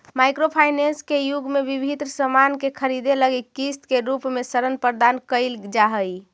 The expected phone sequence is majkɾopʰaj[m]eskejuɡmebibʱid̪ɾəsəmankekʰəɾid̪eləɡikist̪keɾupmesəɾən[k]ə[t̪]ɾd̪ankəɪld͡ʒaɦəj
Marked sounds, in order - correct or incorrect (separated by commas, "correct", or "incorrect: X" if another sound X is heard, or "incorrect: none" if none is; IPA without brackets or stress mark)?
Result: incorrect: n, incorrect: p, incorrect: none